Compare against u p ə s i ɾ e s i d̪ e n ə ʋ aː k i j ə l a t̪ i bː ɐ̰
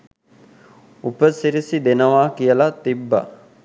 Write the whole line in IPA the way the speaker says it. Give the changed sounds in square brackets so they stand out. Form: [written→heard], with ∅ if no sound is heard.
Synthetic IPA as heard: u p ə s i ɾ [e→i] s i d̪ e n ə ʋ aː k i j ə l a t̪ i bː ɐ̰